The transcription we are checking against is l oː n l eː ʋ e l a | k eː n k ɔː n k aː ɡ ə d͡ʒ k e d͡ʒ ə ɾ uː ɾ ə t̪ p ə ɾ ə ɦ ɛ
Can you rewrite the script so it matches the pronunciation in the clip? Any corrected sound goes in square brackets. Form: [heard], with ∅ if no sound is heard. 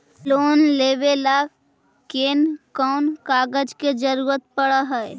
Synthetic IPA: l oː n l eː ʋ e l a | k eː n k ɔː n k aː ɡ ə d͡ʒ k e d͡ʒ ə ɾ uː ɾ ə t̪ p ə [ɽ] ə ɦ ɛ